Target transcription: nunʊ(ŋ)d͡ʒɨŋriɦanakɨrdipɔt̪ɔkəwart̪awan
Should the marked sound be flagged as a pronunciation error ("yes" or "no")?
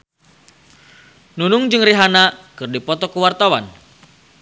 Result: no